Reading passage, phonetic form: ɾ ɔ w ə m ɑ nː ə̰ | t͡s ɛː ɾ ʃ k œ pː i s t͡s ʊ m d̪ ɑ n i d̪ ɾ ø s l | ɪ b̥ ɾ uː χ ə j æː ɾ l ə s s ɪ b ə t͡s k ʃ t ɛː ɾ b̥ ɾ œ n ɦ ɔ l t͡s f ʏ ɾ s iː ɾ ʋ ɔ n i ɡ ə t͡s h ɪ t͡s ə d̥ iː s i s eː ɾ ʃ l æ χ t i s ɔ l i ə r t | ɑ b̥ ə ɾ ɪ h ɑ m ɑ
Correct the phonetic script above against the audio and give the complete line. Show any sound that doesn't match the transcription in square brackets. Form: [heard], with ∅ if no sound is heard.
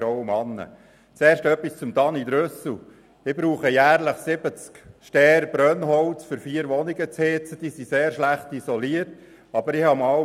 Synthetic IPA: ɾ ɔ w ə m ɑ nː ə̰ | t͡s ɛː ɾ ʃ [t] œ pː i s t͡s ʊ m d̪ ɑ n i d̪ ɾ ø s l | ɪ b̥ ɾ uː χ ə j æː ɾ l ə [χ] s ɪ b ə t͡s k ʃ t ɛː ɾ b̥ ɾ œ n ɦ ɔ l t͡s f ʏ ɾ [f] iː ɾ ʋ ɔ n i ɡ ə t͡s h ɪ t͡s ə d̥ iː s i s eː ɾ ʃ l æ χ t i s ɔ l i ə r t | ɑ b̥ ə ɾ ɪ h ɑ m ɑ